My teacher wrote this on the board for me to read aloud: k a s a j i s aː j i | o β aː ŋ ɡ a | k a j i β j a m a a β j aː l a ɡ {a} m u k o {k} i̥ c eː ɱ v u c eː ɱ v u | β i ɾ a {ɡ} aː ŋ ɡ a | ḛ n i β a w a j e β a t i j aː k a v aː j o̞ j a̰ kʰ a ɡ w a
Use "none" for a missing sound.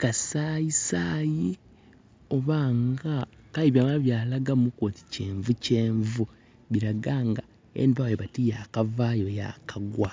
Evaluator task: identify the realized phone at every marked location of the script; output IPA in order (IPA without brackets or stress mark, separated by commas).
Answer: a, t, ɡ